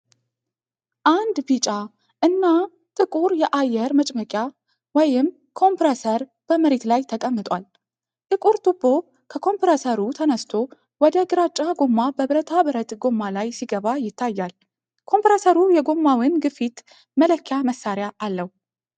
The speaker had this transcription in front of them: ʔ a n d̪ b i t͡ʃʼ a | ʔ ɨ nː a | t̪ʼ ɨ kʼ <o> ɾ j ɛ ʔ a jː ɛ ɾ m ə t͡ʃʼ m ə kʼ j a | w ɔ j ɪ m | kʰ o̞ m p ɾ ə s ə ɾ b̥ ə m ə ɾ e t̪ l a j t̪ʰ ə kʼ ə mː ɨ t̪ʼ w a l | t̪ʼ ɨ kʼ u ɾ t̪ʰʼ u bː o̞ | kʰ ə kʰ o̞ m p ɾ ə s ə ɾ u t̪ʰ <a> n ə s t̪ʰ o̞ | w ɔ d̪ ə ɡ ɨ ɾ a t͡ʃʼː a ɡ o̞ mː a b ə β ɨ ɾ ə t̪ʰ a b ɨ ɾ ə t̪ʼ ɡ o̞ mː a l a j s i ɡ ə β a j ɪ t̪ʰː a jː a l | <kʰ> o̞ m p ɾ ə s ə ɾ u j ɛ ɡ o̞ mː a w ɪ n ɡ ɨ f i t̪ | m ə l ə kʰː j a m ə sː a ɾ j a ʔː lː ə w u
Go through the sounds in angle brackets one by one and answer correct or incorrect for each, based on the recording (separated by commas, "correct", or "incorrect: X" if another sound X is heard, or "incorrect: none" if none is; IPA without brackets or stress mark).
incorrect: u, incorrect: ə, correct